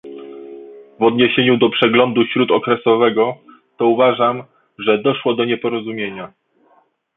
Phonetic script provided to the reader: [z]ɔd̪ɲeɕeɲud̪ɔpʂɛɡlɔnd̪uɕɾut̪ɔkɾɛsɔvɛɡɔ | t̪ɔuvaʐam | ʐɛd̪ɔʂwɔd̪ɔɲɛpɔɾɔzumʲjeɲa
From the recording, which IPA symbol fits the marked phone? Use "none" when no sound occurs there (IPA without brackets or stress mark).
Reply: v